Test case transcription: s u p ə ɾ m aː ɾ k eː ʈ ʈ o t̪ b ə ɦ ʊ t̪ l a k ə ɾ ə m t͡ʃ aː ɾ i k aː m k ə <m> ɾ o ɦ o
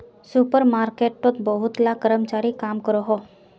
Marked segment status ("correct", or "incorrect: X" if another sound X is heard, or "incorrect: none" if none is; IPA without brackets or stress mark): incorrect: none